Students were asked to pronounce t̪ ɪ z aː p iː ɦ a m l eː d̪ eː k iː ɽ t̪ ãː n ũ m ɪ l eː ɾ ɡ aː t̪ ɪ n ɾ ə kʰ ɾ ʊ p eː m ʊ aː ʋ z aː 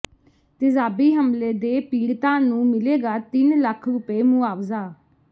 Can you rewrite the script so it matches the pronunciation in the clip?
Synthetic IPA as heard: t̪ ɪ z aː b iː ɦ ə m l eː d̪ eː p iː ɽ t̪ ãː n ũː m ɪ l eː ɡ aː t̪ ɪ n l ə kʰ ɾ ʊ p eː m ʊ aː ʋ z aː